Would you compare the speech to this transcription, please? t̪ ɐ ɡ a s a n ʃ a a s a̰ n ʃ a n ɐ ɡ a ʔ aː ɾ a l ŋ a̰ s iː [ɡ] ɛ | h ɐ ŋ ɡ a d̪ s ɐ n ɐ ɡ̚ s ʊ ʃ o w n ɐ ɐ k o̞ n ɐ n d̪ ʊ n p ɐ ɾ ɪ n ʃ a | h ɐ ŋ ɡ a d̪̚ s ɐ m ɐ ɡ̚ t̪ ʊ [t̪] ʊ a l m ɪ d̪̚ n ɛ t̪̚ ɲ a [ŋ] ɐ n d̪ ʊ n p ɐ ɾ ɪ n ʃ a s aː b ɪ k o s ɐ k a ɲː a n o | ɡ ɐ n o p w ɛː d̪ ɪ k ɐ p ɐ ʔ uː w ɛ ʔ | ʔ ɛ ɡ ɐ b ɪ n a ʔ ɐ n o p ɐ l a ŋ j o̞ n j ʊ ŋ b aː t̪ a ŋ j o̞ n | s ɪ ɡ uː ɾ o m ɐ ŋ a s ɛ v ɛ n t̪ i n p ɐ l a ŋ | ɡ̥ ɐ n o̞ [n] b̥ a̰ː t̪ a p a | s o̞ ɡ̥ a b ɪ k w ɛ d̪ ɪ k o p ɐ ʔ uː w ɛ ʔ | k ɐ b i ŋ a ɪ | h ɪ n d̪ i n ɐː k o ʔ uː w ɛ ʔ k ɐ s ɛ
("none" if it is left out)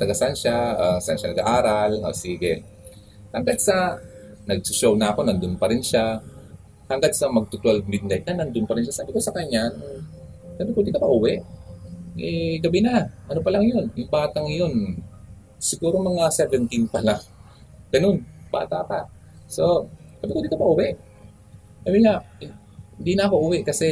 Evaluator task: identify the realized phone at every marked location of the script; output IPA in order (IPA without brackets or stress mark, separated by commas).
ɡ, t̪, n, n